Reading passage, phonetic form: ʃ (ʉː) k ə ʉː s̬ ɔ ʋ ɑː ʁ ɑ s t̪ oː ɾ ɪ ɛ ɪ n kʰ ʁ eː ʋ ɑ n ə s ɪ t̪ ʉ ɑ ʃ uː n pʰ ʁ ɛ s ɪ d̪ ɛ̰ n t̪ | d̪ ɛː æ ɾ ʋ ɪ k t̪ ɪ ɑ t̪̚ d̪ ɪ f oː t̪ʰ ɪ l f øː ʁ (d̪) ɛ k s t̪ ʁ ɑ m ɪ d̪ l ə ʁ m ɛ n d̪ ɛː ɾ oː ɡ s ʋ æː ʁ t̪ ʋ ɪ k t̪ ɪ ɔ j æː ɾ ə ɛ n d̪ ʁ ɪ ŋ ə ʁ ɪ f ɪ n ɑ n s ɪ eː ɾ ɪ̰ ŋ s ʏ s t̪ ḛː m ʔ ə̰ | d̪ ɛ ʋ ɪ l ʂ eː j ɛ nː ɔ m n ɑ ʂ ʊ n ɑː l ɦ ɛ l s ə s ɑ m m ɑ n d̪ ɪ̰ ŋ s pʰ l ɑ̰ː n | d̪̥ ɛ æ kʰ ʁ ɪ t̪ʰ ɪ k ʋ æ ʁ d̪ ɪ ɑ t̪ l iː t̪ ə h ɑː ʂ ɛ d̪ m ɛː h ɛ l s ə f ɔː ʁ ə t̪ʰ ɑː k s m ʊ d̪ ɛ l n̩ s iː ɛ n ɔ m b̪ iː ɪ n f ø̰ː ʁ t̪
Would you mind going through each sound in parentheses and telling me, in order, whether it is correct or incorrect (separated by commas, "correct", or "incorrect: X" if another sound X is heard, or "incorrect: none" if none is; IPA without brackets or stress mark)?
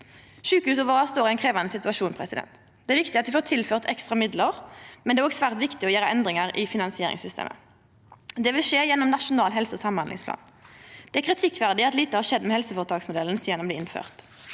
correct, incorrect: t̪